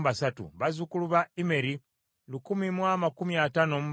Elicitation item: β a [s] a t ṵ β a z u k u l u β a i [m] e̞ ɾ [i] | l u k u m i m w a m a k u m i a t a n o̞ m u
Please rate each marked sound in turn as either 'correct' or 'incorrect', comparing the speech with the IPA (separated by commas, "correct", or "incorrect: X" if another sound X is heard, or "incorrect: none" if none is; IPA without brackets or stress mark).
correct, correct, correct